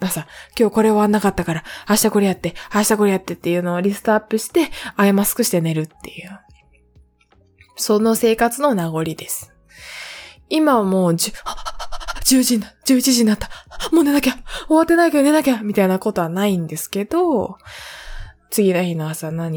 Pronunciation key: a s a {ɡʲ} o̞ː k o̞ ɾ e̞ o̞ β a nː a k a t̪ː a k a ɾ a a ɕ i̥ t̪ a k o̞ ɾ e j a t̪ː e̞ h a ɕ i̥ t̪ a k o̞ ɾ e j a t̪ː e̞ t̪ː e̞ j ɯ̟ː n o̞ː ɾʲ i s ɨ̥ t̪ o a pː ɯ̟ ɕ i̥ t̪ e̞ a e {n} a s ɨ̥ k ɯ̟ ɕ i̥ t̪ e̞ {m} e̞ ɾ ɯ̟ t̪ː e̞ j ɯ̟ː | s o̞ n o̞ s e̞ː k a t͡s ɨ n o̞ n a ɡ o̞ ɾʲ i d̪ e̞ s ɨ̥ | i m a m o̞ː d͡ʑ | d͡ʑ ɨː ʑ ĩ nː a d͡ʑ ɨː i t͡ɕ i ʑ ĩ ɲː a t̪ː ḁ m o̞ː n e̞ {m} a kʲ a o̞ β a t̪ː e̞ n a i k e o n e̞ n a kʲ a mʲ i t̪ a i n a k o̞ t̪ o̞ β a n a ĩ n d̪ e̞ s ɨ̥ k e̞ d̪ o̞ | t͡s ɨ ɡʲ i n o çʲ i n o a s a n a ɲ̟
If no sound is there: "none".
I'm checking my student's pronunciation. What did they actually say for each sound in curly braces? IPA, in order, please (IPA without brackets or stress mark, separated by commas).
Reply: kʲ, m, n, n